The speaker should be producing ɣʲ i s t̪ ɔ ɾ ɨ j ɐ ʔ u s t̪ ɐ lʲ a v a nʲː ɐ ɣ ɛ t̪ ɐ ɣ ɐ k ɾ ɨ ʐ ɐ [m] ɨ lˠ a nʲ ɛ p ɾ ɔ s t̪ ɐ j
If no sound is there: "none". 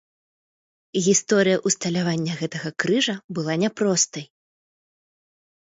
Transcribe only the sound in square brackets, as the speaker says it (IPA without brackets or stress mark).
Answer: b